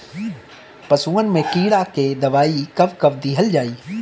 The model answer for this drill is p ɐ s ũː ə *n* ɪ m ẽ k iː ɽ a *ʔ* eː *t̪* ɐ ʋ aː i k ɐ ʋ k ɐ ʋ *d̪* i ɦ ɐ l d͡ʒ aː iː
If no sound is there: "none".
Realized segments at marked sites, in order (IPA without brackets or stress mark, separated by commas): n, k, d̪, d̪